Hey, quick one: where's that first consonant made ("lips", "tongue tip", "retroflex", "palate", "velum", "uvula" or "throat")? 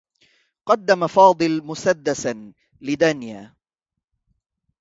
uvula